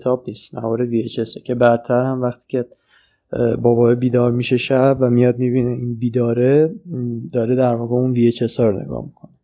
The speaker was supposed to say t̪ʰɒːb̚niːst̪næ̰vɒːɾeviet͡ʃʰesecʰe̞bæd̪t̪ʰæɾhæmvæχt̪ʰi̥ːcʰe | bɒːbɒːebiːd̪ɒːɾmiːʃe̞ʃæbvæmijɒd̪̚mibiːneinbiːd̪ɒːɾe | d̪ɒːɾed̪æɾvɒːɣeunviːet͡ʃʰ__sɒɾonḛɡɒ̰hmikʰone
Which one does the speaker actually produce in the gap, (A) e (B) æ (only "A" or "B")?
A